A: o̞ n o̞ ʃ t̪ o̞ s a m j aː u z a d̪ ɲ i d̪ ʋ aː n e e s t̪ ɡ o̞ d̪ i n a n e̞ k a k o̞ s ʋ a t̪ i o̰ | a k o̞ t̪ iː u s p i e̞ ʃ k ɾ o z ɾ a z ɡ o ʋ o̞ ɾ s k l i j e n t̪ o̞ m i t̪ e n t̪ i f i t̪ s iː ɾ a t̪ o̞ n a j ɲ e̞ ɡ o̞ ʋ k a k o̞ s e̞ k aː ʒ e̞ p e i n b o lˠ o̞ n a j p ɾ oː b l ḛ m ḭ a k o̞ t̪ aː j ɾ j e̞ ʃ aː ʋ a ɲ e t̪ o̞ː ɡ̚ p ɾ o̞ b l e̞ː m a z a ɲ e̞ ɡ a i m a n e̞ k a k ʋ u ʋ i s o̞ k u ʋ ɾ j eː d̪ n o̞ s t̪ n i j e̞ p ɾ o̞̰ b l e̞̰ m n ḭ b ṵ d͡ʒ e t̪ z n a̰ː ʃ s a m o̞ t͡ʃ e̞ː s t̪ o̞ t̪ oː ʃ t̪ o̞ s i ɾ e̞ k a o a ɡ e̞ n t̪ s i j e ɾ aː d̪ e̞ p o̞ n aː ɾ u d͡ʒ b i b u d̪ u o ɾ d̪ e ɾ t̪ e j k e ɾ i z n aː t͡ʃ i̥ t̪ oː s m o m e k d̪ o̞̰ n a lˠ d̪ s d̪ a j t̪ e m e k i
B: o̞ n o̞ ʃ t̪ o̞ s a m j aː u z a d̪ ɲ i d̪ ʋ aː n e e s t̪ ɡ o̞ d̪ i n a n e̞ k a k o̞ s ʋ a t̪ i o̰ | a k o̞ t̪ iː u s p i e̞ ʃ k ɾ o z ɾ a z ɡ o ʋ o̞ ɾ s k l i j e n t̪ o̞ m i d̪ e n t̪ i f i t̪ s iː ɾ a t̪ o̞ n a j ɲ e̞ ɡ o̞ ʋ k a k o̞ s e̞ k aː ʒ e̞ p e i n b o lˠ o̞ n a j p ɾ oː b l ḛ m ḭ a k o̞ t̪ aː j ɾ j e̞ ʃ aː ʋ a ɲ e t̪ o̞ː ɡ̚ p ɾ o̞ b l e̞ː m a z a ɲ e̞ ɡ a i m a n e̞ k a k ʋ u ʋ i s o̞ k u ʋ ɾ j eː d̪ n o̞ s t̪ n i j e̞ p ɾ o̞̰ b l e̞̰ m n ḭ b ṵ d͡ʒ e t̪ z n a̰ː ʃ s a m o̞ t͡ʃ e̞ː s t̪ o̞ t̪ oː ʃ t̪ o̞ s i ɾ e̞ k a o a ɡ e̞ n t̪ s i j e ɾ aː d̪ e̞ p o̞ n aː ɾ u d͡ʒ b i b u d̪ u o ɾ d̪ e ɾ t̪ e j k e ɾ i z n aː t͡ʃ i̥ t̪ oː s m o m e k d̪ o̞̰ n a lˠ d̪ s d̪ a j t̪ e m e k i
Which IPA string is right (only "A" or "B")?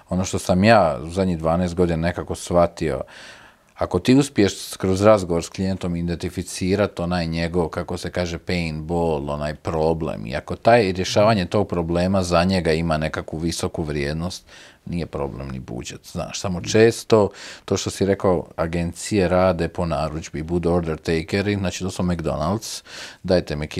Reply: B